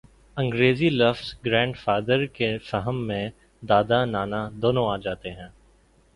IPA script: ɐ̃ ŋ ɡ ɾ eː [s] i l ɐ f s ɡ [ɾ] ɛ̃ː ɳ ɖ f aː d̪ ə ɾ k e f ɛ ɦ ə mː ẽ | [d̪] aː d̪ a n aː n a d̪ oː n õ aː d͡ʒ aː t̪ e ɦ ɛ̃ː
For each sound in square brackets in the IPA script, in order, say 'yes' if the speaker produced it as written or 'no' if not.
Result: no, yes, yes

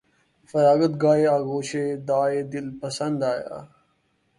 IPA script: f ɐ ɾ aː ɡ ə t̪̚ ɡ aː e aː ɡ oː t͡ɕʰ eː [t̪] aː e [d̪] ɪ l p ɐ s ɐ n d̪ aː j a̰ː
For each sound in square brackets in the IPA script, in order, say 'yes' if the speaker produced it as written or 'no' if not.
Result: no, yes

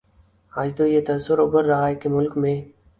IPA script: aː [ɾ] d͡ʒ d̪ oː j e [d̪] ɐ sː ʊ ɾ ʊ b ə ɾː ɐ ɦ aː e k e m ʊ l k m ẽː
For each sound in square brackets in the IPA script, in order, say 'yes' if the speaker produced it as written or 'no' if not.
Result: no, no

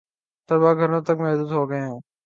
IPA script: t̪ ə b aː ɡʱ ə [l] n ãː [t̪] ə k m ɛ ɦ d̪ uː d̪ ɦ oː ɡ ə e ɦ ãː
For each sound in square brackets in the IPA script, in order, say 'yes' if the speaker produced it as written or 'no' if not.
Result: no, yes

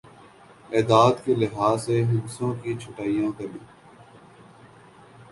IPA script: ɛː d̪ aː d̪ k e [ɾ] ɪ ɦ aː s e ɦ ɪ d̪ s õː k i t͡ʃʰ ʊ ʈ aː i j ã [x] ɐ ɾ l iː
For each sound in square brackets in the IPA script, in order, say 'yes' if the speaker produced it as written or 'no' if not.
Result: no, no

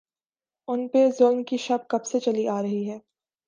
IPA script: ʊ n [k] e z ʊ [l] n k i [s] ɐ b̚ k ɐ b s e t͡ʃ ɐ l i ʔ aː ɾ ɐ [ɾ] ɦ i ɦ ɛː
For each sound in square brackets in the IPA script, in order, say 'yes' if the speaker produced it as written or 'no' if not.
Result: no, yes, no, no

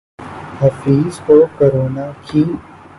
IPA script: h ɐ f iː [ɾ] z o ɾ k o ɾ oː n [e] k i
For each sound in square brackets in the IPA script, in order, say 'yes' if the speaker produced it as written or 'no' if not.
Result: no, no

